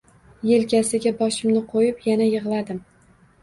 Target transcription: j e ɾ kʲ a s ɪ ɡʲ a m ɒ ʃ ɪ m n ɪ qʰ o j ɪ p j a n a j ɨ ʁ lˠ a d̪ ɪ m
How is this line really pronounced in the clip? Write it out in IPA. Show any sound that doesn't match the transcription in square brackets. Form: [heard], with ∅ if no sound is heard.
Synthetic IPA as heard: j e [l] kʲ a s ɪ ɡʲ a [b] ɒ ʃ ɪ m n ɪ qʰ o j ɪ p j a n a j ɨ ʁ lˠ a d̪ ɪ m